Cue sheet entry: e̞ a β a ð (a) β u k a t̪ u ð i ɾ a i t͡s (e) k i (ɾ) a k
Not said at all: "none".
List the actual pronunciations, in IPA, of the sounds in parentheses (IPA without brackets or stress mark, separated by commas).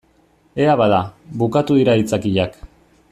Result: a, a, ʎ